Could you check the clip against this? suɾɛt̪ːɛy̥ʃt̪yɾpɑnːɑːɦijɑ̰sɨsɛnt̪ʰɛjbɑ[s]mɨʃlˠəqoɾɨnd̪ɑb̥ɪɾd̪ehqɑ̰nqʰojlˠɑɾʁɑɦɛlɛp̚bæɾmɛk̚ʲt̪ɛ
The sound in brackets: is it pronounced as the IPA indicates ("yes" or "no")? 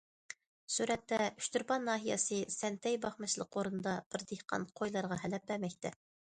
no